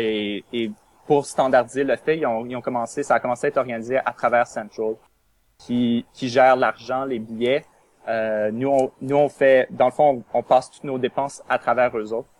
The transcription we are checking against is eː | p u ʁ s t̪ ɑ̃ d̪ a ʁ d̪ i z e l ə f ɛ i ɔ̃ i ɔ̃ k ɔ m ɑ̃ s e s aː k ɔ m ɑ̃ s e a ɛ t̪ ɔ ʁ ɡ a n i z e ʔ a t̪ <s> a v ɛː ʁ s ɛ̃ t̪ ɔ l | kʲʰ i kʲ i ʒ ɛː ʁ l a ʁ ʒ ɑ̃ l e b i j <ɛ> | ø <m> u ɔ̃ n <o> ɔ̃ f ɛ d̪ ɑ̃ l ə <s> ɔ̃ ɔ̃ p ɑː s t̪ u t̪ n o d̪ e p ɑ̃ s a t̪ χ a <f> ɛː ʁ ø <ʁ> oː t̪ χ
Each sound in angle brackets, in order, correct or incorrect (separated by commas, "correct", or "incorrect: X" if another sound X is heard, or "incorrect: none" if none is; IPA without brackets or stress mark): incorrect: χ, correct, incorrect: n, incorrect: u, incorrect: f, incorrect: v, incorrect: z